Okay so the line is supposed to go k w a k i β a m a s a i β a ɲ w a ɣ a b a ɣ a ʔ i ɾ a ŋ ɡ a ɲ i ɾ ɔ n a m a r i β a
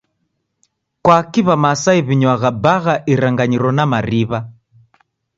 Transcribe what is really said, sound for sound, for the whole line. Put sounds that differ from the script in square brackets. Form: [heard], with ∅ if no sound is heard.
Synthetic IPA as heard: k w a k i β a m a s a i β [i] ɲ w a ɣ a b a ɣ a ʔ i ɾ a ŋ ɡ a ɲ i ɾ ɔ n a m a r i β a